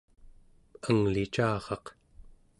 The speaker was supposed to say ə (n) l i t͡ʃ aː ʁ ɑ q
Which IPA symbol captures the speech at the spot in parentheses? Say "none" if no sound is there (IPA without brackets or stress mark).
ŋ